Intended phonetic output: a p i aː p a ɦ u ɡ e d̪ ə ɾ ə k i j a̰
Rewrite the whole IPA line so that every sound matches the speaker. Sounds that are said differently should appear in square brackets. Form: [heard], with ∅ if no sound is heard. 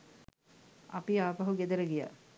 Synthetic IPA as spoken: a p i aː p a ɦ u ɡ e d̪ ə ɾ ə [ɡ] i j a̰